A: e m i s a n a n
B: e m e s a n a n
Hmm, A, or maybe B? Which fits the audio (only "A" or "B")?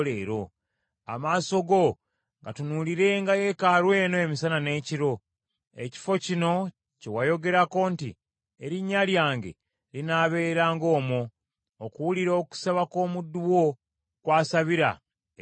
A